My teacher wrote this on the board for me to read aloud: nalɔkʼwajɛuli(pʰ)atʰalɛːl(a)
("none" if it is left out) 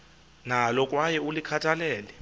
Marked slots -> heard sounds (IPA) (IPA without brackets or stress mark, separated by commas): kʰ, ɛ